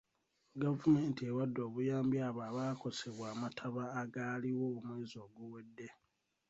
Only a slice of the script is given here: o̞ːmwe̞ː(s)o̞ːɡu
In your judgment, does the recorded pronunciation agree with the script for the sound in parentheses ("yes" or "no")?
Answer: no